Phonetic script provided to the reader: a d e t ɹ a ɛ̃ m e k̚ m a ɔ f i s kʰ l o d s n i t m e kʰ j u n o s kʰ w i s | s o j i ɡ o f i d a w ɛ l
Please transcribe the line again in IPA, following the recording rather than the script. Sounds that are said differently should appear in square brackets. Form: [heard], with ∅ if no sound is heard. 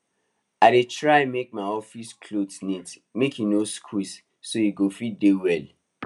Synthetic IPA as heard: a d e t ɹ a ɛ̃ m e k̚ m a ɔ f i s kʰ l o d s n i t m e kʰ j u n o s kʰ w i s | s o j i ɡ o f i d [e] w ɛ l